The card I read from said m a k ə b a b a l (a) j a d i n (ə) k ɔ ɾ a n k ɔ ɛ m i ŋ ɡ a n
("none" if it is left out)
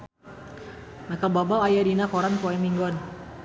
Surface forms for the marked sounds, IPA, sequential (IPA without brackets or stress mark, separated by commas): a, a